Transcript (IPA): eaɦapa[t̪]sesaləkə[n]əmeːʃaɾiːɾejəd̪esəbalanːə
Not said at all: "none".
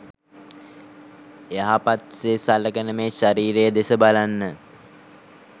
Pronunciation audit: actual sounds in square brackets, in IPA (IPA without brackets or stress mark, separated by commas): t̪, n